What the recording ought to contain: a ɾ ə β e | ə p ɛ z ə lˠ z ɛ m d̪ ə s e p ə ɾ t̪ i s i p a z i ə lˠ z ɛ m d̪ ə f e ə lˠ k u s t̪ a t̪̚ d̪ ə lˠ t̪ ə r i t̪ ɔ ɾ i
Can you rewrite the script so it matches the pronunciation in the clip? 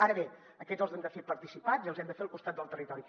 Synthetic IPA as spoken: a ɾ ə β e | ə k ɛ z ə lˠ z ɛ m d̪ ə f e p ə ɾ t̪ i s i p a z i ə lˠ z ɛ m d̪ ə f e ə lˠ k u s t̪ a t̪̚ d̪ ə lˠ t̪ ə r i t̪ ɔ ɾ i

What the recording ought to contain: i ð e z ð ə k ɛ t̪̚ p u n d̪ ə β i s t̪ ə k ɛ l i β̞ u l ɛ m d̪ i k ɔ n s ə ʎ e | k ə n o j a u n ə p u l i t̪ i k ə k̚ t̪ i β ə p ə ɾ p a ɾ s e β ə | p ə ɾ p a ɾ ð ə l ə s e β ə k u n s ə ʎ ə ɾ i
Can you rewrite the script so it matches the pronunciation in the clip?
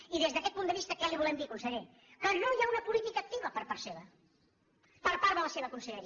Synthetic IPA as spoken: i ð e z ð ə k ɛ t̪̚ p u n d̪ ə β i s t̪ ə k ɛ l i β̞ u l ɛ m d̪ i k u n s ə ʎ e | k ə n o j a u n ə p u l i t̪ i k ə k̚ t̪ i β ə p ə ɾ p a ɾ s e β ə | p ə ɾ p a ɾ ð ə l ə s e β ə k u n s ə ʎ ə ɾ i

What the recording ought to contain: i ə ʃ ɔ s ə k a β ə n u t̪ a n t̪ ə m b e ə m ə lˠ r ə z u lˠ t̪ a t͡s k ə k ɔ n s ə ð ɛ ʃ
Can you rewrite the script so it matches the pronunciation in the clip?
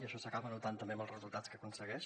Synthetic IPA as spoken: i ə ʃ ɔ s ə k a β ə n u t̪ a n t̪ ə m b e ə m ə lˠ r ə z u lˠ t̪ a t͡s k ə k u n s ə ɣ ɛ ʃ

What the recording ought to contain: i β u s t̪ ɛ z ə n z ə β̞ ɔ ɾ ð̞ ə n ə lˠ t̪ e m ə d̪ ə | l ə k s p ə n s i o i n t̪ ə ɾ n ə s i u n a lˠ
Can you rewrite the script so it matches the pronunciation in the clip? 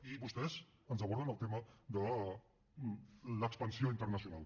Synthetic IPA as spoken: i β u s t̪ ɛ z ə n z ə β̞ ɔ ɾ ð̞ ə n ə lˠ t̪ e m ə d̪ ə | l ə k s p ə n s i o i n t̪ ə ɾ n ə s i u n a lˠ

